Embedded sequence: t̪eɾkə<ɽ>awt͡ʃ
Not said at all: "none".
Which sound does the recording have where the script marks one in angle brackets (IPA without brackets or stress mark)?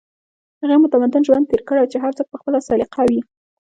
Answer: ɽ